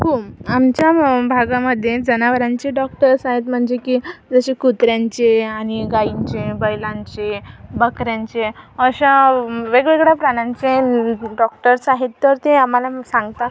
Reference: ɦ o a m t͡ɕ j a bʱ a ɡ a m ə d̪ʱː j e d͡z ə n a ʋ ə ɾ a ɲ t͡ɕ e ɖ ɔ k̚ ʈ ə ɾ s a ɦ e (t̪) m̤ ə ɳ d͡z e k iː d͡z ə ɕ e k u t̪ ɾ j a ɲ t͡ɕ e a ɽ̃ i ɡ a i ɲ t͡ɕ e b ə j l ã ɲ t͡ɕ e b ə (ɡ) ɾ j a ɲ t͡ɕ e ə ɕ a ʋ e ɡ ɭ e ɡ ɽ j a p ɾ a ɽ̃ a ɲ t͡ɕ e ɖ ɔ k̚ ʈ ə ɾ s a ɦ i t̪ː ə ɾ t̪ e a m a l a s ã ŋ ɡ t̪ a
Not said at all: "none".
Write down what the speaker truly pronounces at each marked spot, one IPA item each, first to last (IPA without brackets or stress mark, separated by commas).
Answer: t̪, k